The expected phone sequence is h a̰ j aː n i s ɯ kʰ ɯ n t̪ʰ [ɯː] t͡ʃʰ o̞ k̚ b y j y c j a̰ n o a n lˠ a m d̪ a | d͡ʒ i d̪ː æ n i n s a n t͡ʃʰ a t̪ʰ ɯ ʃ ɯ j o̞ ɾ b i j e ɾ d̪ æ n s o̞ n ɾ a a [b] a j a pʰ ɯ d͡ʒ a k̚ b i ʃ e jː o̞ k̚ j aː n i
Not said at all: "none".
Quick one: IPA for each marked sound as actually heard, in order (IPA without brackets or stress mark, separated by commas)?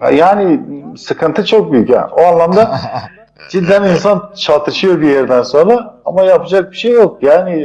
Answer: ɯ, m